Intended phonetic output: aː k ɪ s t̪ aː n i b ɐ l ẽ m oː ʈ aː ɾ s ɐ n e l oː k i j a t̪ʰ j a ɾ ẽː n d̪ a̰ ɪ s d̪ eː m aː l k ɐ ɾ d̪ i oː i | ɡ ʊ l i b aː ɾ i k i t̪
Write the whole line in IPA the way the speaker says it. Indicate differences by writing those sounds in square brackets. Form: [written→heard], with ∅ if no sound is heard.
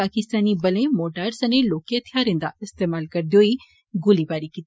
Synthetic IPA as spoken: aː k ɪ s t̪ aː n i b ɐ l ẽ m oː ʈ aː ɾ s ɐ n e l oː k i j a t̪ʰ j a ɾ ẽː n d̪ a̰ ɪ s [d̪→t̪] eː m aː l k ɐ ɾ d̪ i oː i | ɡ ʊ l i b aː ɾ i k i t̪